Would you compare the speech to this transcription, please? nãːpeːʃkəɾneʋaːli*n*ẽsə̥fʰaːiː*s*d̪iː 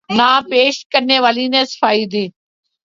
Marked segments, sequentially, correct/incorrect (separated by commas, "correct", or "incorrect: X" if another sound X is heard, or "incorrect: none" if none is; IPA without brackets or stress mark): correct, incorrect: none